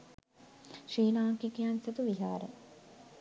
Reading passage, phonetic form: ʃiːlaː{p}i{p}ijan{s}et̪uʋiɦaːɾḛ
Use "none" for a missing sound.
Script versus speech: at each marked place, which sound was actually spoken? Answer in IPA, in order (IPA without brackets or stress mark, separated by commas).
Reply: k, k, s